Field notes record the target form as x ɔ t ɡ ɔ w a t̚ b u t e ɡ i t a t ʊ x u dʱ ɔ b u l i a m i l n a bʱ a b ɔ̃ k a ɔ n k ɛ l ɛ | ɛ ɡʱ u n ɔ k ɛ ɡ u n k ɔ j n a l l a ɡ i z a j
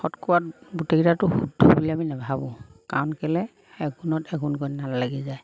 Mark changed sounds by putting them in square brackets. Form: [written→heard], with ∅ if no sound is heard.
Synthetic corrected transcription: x ɔ t [ɡ→k] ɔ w a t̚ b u t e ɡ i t a t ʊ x u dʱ ɔ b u l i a m i [l→∅] n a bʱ a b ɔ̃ k a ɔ n k ɛ l ɛ | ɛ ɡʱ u n ɔ [k→t] ɛ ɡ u n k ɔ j n a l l a ɡ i z a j